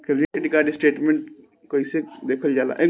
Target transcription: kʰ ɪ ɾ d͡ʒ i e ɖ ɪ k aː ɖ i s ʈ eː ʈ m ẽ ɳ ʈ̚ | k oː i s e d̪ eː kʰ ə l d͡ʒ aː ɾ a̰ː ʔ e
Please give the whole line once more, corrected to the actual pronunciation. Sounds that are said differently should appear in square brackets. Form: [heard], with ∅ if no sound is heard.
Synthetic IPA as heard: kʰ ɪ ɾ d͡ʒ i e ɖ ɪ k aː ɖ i s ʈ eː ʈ m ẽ ɳ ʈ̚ | k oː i s e d̪ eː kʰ ə l d͡ʒ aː [l] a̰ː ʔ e